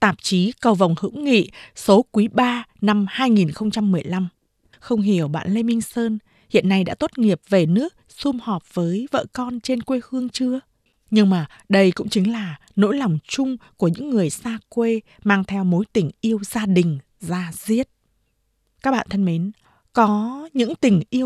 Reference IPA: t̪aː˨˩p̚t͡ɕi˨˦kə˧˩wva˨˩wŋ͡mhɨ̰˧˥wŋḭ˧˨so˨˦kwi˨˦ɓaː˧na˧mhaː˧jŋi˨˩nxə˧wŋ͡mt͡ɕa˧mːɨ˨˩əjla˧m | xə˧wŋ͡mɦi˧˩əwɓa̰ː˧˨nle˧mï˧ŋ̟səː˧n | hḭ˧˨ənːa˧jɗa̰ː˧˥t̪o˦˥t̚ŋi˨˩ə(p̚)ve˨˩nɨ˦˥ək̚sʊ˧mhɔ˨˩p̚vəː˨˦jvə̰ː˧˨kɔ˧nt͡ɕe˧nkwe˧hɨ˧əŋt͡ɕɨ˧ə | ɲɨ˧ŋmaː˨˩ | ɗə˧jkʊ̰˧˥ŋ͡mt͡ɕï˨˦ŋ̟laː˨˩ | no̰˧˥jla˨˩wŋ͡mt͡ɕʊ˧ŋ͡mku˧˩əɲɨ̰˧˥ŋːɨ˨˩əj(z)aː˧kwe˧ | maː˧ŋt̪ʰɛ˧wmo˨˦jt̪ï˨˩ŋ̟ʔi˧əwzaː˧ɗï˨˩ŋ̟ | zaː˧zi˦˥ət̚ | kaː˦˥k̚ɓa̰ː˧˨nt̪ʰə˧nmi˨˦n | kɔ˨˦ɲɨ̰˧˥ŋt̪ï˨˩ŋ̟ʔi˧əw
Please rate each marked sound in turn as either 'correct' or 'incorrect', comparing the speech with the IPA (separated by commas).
correct, incorrect